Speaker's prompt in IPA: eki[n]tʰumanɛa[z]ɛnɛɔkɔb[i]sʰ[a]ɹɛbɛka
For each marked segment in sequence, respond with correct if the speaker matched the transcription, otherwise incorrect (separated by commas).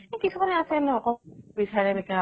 incorrect, incorrect, correct, correct